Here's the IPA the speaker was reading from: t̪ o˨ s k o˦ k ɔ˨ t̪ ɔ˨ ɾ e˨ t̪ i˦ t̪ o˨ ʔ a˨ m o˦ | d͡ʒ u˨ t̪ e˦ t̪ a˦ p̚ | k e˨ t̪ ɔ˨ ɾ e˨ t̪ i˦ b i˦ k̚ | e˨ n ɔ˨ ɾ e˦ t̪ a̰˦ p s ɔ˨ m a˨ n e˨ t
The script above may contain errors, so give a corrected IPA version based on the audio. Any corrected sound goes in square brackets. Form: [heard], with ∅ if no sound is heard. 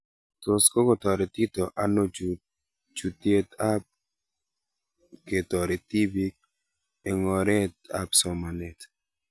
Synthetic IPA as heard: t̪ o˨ s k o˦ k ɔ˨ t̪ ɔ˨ ɾ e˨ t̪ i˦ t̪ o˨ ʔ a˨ [n] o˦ | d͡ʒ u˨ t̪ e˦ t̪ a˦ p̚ | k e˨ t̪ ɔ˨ ɾ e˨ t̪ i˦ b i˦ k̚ | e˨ [ŋ] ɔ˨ ɾ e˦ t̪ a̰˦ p s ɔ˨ m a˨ n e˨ t